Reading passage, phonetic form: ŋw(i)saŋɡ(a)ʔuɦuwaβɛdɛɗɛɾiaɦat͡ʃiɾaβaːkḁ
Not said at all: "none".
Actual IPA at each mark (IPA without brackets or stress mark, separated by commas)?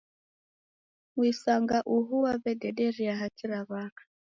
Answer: i, a